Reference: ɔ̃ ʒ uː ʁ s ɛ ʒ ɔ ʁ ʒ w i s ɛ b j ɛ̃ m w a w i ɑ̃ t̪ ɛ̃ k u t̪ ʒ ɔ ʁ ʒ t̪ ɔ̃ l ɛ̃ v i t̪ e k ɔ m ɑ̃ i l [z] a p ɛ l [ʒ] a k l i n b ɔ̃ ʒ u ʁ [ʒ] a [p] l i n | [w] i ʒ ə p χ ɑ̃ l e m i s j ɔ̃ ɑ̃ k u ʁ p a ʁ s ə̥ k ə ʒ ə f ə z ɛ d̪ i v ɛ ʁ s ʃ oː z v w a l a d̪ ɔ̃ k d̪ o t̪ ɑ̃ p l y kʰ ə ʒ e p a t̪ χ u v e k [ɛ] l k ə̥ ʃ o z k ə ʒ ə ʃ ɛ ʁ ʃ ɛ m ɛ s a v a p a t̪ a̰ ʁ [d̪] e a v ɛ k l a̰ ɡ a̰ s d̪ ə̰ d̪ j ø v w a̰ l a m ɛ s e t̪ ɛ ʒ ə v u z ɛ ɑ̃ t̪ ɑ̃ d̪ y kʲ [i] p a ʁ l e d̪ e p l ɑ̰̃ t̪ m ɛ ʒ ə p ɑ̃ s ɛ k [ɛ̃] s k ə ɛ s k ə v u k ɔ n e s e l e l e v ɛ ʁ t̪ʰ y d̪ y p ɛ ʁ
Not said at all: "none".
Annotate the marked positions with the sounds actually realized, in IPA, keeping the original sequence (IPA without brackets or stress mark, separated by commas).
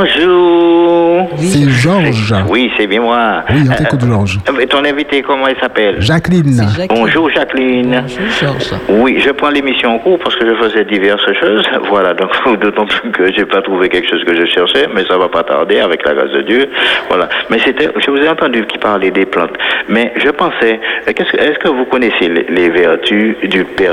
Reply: s, ʒ, ʒ, k, w, ɛ, d̪, i, ɛ